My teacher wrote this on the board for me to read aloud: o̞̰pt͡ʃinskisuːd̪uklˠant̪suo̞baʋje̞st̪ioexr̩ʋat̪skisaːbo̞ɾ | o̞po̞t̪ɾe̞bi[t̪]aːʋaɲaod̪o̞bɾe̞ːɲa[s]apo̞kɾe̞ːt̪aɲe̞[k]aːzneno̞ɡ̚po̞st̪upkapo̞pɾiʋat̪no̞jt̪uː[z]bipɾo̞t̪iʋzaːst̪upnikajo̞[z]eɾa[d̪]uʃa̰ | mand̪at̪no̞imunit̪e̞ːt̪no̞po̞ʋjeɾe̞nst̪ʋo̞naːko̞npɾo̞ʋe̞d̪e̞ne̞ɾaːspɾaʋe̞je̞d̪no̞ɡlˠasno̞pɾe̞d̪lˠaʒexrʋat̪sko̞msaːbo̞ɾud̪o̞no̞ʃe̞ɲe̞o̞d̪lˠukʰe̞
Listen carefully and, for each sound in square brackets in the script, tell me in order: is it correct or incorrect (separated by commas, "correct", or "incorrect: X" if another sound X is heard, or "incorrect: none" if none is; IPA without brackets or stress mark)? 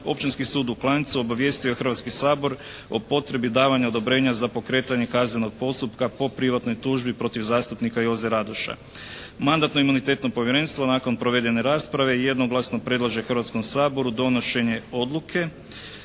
incorrect: d̪, incorrect: z, correct, incorrect: ʒ, correct, correct